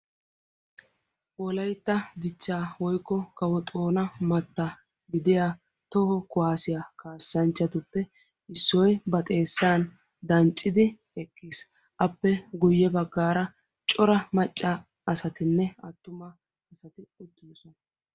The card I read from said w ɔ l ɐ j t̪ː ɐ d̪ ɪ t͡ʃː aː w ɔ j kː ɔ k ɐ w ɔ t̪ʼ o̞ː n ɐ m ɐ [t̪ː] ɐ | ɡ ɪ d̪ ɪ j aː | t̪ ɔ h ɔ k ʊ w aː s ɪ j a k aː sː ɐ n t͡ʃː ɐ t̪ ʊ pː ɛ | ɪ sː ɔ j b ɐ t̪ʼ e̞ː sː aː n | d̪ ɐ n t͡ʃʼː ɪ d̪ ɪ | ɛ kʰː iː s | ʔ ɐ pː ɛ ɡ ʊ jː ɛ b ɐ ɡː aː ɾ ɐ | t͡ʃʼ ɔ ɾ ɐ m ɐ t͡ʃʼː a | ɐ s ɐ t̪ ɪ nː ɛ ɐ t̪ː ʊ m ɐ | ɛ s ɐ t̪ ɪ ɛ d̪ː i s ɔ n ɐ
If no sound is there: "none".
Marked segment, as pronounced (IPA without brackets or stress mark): t̪ː